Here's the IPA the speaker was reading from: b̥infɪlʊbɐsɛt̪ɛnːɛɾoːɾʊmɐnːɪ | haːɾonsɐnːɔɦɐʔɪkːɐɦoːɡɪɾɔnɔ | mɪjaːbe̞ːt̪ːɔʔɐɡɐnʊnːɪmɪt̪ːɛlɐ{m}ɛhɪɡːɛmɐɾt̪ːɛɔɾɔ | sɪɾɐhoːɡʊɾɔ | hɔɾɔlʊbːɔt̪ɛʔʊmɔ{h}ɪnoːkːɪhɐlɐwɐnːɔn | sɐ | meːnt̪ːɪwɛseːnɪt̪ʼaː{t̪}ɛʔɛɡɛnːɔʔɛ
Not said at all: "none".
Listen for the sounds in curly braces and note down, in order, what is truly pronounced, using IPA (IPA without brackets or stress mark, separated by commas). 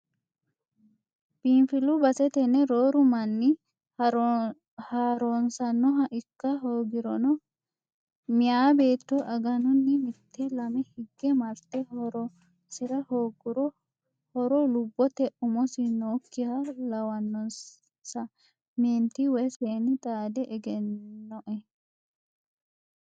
m, s, d̪